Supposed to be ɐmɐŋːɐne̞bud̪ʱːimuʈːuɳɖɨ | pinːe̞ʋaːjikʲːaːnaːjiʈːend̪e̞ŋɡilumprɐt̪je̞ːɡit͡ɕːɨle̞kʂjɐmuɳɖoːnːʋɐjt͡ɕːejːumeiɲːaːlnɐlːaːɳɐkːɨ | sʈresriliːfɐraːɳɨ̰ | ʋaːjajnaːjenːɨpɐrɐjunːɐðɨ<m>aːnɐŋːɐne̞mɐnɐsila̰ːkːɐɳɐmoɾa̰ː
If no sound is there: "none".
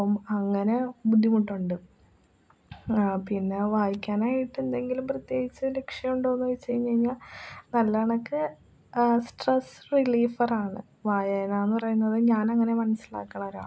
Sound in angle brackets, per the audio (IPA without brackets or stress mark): ɲ